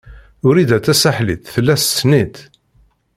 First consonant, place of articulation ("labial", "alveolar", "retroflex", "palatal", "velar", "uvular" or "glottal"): alveolar